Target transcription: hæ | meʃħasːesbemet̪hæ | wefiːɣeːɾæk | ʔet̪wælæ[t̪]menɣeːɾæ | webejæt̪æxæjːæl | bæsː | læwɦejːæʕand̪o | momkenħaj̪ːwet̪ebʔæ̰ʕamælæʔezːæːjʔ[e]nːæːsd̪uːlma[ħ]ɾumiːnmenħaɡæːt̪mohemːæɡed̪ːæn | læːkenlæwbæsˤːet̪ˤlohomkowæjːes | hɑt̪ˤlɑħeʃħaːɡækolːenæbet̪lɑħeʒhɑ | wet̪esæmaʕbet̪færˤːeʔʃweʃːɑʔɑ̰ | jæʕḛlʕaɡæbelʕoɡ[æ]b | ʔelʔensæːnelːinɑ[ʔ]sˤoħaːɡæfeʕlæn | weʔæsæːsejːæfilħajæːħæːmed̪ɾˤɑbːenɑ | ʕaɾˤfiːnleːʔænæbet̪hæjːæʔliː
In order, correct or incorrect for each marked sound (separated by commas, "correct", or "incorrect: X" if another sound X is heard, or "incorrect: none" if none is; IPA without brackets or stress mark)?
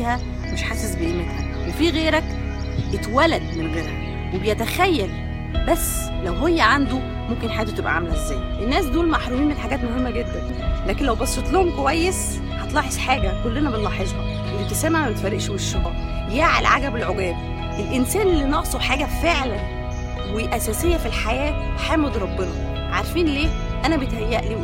incorrect: d̪, correct, correct, incorrect: æː, correct